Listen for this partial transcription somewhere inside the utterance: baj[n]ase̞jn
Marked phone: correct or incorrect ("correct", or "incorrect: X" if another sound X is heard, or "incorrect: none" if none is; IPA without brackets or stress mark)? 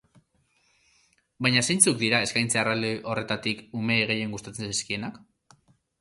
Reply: incorrect: ɲ